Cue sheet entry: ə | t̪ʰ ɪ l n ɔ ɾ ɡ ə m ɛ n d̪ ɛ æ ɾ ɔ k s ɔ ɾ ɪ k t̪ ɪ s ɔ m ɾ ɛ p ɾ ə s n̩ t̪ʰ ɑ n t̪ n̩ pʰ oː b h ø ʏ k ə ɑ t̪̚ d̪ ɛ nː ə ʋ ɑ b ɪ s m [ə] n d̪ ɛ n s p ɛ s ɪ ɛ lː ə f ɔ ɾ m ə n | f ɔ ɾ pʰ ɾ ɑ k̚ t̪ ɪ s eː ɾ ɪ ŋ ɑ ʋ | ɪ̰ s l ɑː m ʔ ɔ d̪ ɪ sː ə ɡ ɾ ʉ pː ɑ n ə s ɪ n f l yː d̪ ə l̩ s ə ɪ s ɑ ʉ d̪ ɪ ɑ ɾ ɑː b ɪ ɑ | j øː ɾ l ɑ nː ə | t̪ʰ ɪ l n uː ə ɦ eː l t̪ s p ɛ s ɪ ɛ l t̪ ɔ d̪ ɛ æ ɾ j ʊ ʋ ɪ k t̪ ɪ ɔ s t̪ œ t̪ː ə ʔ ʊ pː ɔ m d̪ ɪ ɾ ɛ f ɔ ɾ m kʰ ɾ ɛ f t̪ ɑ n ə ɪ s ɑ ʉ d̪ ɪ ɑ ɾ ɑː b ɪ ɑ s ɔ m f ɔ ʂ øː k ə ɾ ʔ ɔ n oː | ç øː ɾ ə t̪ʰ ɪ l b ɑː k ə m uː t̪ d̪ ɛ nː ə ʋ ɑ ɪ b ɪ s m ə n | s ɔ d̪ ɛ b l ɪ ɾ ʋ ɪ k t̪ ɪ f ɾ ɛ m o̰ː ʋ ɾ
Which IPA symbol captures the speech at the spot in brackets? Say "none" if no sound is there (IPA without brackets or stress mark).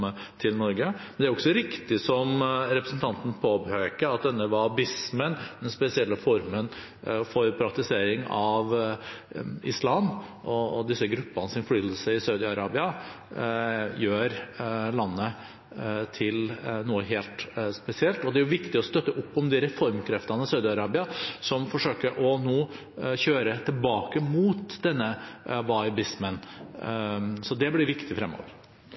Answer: ə